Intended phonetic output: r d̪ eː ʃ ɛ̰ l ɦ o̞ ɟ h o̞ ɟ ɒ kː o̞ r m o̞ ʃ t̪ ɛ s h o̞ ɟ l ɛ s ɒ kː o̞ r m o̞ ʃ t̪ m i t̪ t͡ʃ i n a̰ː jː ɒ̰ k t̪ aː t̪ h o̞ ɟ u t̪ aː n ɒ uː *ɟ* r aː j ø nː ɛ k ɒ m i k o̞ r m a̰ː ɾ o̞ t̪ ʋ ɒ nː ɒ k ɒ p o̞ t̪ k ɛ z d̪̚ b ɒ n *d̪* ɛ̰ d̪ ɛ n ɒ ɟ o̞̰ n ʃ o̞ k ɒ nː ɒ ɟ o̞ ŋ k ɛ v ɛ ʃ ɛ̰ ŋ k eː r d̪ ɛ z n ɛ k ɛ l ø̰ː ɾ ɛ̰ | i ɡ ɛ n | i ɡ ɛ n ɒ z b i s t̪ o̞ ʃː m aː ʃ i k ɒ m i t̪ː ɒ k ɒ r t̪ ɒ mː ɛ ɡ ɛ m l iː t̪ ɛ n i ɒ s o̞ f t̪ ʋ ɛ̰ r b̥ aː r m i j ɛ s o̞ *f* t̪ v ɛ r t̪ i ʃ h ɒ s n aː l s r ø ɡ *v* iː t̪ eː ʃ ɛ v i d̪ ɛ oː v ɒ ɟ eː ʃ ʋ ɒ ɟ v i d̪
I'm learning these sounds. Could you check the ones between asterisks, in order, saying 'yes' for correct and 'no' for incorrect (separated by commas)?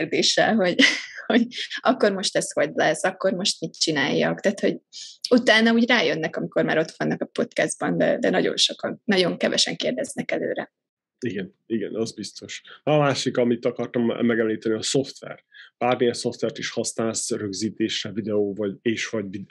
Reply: yes, yes, yes, no